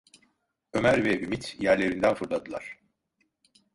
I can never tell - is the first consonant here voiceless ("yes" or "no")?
no